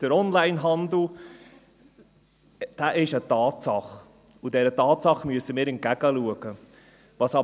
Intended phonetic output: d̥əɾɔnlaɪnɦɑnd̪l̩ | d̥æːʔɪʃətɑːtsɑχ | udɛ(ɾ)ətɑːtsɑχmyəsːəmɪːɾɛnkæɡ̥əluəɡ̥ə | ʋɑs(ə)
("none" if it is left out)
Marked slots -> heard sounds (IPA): ɾ, ɑ

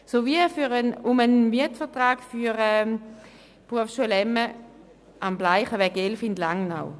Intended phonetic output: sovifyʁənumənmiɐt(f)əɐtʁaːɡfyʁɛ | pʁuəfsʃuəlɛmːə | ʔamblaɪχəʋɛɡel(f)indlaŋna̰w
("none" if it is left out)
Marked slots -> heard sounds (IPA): f, f

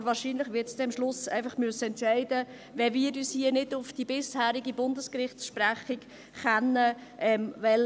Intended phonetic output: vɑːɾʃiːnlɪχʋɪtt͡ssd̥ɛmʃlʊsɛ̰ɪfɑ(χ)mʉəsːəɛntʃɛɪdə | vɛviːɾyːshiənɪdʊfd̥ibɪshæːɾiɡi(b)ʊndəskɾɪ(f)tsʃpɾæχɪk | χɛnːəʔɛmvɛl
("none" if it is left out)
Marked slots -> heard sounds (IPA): χ, b, χ

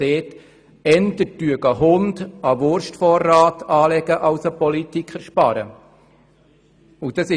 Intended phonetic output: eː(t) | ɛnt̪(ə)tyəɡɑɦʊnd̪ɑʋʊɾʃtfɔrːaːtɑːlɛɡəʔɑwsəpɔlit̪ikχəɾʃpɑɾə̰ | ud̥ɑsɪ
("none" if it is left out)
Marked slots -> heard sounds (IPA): t, ə

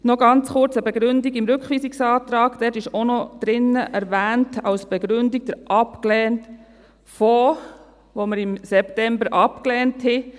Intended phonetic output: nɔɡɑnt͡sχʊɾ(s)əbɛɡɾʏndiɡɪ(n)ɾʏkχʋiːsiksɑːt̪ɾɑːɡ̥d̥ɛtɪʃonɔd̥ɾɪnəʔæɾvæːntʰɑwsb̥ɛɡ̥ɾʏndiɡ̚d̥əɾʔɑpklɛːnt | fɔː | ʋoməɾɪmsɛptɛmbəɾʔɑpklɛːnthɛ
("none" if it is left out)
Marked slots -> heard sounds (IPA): t͡s, m

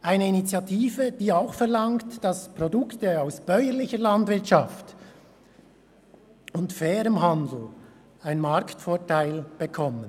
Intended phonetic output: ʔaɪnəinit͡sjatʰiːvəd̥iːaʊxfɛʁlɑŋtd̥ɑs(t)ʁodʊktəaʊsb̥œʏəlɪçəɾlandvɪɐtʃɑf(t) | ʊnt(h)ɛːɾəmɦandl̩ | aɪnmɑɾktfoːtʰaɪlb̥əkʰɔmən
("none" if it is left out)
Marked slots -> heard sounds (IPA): p, t, f

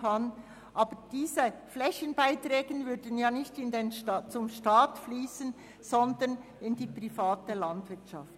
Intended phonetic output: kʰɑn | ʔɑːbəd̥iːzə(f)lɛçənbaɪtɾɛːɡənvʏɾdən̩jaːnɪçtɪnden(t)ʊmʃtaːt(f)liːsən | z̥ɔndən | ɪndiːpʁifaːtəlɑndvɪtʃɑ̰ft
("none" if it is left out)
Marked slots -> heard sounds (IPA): f, t͡s, f

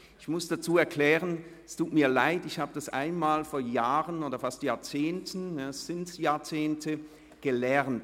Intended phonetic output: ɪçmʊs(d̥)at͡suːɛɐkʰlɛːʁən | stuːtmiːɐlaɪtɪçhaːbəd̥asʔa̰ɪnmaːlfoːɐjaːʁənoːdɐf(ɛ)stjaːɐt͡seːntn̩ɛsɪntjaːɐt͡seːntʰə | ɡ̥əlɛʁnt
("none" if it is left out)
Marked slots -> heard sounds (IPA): d̥, a

